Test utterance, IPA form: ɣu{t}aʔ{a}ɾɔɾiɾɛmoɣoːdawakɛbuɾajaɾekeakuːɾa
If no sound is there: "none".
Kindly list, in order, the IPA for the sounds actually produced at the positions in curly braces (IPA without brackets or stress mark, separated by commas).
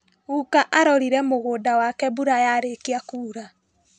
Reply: k, a